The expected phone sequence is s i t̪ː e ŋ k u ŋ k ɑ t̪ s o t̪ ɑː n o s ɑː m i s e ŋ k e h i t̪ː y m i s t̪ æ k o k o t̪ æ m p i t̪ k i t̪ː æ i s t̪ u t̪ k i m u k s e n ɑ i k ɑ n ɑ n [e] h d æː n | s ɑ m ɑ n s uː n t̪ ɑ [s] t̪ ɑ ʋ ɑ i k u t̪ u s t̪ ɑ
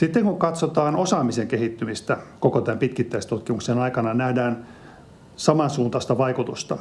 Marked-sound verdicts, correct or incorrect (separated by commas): incorrect, correct